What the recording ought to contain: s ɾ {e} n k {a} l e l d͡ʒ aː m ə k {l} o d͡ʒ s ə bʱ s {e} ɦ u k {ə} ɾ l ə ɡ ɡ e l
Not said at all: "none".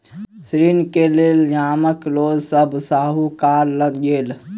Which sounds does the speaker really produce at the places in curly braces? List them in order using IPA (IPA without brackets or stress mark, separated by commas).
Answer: i, e, l, a, a